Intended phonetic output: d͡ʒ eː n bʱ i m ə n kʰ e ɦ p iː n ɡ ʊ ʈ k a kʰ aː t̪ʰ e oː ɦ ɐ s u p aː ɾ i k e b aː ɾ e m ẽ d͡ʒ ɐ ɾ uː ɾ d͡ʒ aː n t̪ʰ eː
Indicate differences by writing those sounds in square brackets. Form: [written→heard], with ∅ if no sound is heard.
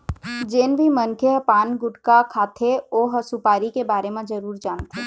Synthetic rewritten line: d͡ʒ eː n bʱ i m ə n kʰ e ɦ p [iː→aː] n ɡ ʊ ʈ k a kʰ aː t̪ʰ e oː ɦ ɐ s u p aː ɾ i k e b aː ɾ e m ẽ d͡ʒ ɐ ɾ uː ɾ d͡ʒ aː n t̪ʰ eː